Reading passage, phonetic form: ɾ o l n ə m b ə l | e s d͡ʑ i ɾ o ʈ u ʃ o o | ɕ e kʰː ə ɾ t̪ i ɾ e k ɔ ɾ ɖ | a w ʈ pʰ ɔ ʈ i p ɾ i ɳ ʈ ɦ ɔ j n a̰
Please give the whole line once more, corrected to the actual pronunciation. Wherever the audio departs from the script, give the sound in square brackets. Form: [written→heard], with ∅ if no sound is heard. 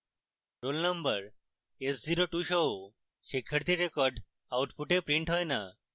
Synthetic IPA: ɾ o l n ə m b ə [l→ɾ] | e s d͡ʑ i ɾ o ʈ u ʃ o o | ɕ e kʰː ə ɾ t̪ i ɾ e k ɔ ɾ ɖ | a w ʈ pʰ [ɔ→u] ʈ [i→e] p ɾ i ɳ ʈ ɦ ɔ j n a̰